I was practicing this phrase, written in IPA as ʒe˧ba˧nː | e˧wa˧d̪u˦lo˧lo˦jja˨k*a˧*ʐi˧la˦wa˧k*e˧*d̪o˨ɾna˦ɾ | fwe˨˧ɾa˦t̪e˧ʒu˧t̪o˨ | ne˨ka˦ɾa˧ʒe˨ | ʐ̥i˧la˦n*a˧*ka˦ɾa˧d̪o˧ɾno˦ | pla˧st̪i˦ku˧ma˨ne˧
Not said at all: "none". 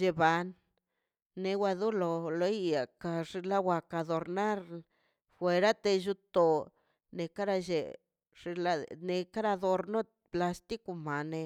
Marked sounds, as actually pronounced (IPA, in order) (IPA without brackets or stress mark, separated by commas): a˧, a˧, e˧